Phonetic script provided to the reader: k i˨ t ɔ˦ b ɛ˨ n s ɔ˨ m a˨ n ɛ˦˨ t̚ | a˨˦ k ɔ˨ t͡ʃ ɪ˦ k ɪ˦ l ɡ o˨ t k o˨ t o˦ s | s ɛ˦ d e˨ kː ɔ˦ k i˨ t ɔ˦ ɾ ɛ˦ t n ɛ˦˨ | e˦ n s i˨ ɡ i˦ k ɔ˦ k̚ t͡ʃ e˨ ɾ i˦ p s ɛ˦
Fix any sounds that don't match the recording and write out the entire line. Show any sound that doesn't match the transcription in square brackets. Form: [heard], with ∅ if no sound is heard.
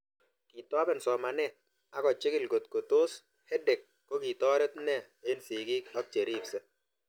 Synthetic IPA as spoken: k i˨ t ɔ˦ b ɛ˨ n s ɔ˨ m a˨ n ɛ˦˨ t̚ | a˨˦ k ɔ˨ t͡ʃ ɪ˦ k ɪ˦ l ɡ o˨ t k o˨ t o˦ s | [h] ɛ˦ d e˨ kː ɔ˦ k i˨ t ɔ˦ ɾ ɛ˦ t n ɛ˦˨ | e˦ n s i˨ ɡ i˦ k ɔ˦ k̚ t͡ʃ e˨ ɾ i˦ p s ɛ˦